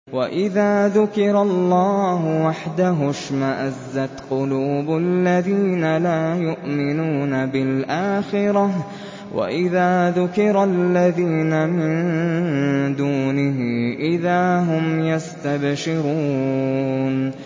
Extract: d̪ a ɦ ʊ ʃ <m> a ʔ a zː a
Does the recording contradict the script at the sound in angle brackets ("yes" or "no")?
no